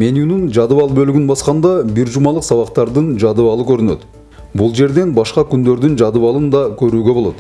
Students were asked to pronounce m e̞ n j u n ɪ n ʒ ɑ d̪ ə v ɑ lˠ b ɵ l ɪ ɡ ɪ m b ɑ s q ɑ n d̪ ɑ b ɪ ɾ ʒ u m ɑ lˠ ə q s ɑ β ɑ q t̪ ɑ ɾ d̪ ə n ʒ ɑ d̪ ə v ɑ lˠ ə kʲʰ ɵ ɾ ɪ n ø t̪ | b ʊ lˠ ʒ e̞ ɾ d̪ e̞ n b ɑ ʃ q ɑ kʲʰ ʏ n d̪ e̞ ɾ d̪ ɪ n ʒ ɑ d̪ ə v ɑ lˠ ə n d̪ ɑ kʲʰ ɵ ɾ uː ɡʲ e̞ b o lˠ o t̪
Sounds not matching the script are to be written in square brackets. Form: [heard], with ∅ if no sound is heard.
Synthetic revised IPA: m e̞ n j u n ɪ n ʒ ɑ d̪ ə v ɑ lˠ b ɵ l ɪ ɡ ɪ [n] b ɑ s q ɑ n d̪ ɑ b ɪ ɾ ʒ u m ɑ lˠ ə q s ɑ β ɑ q t̪ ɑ ɾ d̪ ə n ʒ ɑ d̪ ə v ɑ lˠ ə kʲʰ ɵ ɾ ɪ n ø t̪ | b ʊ lˠ ʒ e̞ ɾ d̪ e̞ n b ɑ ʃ q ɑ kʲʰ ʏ n d̪ e̞ ɾ d̪ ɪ n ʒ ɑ d̪ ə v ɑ lˠ ə n d̪ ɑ kʲʰ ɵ ɾ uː ɡʲ e̞ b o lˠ o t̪